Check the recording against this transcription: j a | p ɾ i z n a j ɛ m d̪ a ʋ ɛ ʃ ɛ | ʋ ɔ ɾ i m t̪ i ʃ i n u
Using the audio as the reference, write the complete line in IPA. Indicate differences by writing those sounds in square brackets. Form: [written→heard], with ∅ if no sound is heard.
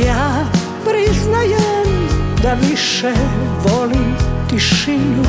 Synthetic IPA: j a | p ɾ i z n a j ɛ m d̪ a ʋ [ɛ→i] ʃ ɛ | ʋ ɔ [ɾ→l] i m t̪ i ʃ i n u